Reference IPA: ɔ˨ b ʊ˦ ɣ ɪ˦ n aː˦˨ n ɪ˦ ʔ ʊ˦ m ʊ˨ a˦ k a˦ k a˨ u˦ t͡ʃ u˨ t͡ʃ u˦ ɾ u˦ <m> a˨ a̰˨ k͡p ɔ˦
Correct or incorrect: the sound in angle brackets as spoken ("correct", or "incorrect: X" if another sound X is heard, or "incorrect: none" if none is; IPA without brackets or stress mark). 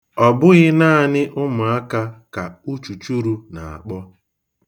incorrect: n